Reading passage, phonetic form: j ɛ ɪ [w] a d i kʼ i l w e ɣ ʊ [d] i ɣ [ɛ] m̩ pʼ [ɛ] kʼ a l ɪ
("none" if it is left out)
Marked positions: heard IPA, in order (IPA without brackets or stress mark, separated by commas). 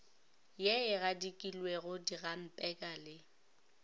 ɣ, d, a, ɛ